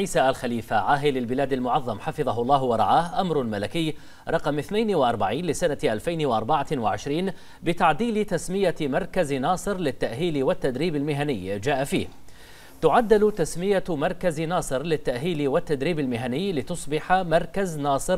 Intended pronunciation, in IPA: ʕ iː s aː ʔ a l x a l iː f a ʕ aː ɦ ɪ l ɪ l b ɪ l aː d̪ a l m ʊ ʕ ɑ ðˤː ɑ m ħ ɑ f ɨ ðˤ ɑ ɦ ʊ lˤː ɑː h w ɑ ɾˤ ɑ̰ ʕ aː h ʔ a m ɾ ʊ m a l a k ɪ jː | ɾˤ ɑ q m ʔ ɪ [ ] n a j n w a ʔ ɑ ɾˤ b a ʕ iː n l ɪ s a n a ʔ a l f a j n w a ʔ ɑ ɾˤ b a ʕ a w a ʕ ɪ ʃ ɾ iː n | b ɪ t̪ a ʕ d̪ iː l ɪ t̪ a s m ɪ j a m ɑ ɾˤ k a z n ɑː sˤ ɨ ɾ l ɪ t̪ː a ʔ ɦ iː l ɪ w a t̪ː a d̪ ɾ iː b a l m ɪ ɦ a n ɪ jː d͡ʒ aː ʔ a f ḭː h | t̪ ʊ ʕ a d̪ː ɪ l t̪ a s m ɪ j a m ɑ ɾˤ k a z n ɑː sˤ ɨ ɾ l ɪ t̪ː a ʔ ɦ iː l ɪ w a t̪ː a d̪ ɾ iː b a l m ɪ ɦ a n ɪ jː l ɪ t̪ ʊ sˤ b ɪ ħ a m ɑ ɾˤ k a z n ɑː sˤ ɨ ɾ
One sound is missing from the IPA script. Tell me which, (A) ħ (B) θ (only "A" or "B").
B